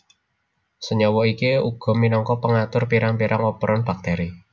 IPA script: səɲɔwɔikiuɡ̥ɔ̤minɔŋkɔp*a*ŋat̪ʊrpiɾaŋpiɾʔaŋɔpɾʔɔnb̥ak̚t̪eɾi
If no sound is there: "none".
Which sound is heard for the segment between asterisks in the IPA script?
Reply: ə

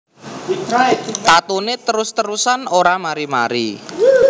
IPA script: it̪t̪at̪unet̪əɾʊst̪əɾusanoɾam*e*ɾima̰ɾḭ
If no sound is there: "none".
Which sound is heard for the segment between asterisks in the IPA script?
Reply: a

